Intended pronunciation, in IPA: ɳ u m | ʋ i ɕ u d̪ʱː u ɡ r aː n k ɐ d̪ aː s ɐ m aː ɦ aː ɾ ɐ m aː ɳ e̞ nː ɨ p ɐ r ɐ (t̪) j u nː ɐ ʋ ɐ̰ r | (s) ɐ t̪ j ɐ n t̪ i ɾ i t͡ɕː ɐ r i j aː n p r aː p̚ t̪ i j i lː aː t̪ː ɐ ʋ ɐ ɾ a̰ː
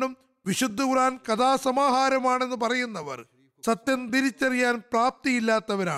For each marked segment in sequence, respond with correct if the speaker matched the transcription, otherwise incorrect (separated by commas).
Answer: incorrect, correct